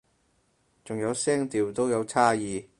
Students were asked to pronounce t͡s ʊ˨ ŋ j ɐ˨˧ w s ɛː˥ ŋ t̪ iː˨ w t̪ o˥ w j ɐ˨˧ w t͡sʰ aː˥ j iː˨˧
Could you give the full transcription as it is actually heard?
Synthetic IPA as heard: t͡s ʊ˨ ŋ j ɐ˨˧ w s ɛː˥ ŋ t̪ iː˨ w t̪ o˥ w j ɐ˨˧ w t͡sʰ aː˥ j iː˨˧